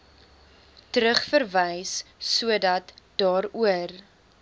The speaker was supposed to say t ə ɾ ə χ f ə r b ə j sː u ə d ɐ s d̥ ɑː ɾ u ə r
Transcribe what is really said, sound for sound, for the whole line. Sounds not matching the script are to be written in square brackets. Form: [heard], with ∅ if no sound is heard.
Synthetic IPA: t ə ɾ ə χ f ə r [v] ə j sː u ə d ɐ [t] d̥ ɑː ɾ u ə r